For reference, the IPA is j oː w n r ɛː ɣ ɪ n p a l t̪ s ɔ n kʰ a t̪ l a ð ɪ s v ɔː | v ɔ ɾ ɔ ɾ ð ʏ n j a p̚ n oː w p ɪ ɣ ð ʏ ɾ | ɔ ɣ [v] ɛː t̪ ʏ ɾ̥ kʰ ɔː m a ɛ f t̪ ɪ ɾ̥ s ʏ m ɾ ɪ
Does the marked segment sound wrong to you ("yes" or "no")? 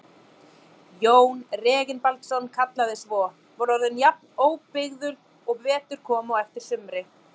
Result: no